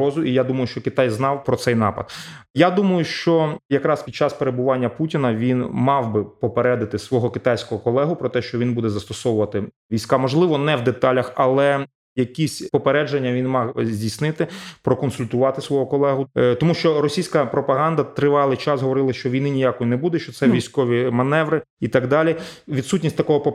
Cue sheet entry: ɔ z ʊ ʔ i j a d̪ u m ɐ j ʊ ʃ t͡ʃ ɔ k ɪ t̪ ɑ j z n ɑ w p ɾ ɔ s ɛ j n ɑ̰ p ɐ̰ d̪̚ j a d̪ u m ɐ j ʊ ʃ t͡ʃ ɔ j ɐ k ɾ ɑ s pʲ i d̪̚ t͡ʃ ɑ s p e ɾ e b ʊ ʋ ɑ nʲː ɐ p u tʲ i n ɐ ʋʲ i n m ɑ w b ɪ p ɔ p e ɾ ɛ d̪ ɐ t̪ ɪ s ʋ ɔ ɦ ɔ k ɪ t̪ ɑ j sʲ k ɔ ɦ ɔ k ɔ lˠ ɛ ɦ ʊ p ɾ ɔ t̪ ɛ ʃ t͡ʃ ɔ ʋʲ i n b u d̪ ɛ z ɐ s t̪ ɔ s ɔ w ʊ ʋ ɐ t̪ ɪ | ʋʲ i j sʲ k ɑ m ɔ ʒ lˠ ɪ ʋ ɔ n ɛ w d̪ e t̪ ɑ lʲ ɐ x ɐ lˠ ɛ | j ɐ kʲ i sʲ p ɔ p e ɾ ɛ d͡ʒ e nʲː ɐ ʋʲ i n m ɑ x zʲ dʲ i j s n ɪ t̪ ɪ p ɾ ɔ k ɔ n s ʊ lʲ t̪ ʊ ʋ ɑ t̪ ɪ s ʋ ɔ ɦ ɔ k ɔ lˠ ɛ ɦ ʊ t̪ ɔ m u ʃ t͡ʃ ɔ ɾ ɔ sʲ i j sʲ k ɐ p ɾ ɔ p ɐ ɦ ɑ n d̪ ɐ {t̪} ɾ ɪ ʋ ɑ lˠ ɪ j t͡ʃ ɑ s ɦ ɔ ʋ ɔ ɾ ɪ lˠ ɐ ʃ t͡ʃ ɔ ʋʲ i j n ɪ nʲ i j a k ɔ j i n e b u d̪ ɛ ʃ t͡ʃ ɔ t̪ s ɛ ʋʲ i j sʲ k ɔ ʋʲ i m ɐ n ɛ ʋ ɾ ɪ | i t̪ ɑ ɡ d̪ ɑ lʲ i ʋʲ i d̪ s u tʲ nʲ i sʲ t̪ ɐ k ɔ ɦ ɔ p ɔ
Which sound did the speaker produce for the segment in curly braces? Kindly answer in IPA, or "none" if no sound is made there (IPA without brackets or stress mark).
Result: t̪